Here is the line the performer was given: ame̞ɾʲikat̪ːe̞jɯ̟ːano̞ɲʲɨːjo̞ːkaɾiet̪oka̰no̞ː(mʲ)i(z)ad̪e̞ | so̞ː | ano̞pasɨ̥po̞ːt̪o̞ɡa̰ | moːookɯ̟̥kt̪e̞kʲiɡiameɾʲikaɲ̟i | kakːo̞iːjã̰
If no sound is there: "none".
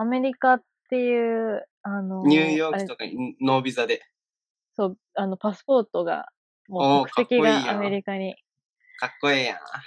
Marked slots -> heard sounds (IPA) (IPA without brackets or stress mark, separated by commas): bʲ, z